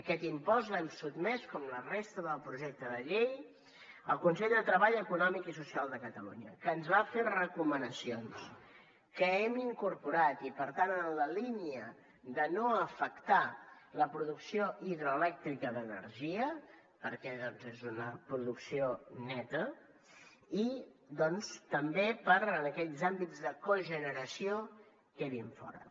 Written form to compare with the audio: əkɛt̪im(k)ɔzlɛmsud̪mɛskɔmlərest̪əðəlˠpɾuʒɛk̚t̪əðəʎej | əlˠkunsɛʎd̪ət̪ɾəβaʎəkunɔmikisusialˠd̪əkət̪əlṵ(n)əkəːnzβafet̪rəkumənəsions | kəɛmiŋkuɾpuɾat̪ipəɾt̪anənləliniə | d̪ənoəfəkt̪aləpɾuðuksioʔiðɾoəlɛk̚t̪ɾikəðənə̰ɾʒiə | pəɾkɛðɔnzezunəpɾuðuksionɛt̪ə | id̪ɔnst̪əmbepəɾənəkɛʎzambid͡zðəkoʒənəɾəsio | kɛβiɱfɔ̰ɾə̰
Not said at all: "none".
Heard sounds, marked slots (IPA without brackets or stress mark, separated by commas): p, ɲ